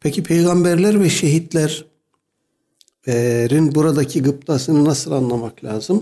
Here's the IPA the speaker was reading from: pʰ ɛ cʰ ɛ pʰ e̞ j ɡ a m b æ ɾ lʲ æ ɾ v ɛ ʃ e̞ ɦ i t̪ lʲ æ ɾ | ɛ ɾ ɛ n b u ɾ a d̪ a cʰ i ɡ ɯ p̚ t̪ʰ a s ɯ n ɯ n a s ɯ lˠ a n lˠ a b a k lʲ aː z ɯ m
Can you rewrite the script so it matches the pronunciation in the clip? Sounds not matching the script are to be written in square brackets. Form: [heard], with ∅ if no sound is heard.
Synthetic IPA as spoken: pʰ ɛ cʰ [i] pʰ e̞ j ɡ a m b æ ɾ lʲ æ ɾ v ɛ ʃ e̞ ɦ i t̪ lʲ æ ɾ | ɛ ɾ [i] n b u ɾ a d̪ a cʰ i ɡ ɯ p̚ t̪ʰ a s ɯ n ɯ n a s ɯ lˠ a n lˠ a [m] a k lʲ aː z ɯ m